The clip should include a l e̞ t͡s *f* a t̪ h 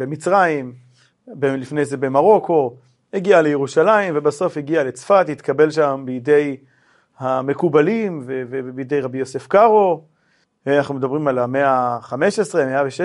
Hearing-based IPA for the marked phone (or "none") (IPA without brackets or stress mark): f